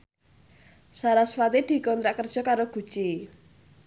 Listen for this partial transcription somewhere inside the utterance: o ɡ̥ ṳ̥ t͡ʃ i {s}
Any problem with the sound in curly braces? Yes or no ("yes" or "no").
yes